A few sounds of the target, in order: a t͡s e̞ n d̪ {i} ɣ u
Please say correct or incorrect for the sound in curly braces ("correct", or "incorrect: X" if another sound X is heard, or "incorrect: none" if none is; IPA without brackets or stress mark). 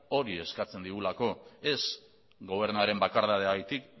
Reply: correct